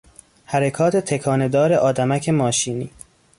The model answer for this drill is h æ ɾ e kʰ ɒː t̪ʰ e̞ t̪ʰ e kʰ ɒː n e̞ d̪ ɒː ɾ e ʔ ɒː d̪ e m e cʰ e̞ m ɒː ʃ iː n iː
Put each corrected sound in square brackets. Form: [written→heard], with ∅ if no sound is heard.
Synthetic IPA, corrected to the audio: h æ ɾ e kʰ ɒː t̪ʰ e̞ t̪ʰ e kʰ ɒː n e̞ d̪ ɒː ɾ e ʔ ɒː d̪ [e→æ] m [e→æ] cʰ e̞ m ɒː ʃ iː n iː